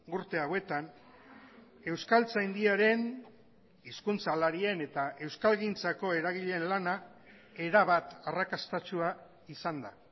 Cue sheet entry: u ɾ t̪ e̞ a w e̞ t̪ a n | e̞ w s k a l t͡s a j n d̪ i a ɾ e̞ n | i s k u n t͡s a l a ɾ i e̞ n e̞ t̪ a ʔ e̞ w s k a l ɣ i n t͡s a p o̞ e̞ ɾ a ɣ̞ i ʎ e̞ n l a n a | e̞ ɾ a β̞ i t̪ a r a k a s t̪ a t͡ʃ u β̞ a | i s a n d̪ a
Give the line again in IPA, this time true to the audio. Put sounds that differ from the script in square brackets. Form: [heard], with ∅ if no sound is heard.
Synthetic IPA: u ɾ t̪ e̞ a w e̞ t̪ a n | e̞ w s k a l t͡s a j n d̪ i a ɾ e̞ n | i s k u n t͡s a l a ɾ i e̞ n e̞ t̪ a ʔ e̞ w s k a l ɣ i n t͡s a [k] o̞ e̞ ɾ a ɣ̞ i ʎ e̞ n l a n a | e̞ ɾ a β̞ [a] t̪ a r a k a s t̪ a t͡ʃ u [∅] a | i s a n d̪ a